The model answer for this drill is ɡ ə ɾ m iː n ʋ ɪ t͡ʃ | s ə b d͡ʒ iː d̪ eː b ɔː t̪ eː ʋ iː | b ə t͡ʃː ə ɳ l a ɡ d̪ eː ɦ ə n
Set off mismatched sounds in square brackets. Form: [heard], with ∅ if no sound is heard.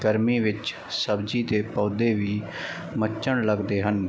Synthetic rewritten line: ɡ ə ɾ m iː [∅] ʋ ɪ t͡ʃ | s ə b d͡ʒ iː d̪ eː [p] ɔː [d̪] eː ʋ iː | [m] ə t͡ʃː ə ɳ l [ə] ɡ d̪ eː ɦ ə n